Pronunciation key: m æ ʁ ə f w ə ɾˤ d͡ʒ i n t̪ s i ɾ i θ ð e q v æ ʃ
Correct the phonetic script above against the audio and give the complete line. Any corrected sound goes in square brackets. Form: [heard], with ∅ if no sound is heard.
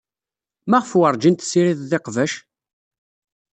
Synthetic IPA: m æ ʁ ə f w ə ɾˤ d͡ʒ i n t̪ s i ɾ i [ð] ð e q v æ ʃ